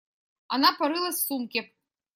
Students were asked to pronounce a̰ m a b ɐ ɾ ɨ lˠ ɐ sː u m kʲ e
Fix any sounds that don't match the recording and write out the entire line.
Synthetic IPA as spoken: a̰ n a p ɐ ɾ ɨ lˠ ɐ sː u m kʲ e